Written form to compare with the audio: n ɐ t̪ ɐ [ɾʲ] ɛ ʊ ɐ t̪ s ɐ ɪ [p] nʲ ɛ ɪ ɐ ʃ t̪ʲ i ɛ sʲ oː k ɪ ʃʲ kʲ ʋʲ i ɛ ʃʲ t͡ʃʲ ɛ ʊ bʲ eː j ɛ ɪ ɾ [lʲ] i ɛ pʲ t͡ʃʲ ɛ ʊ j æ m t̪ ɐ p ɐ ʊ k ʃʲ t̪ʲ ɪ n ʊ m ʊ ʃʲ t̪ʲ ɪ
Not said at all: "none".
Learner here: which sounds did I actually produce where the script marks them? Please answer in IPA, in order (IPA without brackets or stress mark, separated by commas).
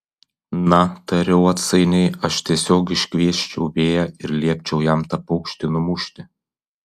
ɾʲ, none, lʲ